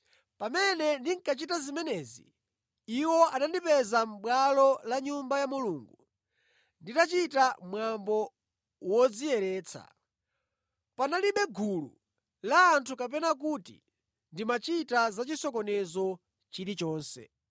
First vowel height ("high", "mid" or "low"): low